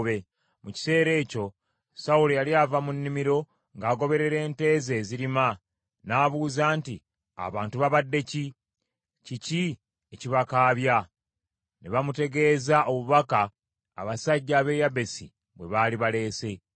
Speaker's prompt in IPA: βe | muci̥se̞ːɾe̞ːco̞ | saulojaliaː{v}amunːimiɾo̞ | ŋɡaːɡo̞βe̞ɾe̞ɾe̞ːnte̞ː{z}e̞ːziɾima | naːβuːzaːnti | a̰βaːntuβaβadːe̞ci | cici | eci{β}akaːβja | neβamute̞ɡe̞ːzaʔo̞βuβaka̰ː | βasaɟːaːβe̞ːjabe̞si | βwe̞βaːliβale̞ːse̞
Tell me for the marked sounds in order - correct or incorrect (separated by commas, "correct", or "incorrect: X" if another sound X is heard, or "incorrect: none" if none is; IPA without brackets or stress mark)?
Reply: correct, correct, correct